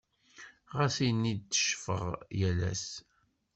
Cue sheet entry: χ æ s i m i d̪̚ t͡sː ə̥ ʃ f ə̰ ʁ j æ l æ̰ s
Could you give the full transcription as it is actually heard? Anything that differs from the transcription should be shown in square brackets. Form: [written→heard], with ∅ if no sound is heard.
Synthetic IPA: [χ→ʁ] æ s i [m→n] i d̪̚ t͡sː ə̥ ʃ f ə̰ ʁ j æ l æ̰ s